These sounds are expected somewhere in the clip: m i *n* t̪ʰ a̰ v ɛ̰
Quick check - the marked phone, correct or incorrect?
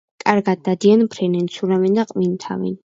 correct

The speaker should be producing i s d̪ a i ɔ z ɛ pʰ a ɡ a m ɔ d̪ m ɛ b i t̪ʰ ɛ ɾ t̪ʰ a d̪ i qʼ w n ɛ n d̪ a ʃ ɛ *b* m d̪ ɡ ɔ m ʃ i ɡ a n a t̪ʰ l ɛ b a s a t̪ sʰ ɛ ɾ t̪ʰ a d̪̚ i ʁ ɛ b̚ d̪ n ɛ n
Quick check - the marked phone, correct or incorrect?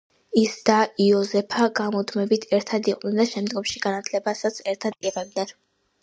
incorrect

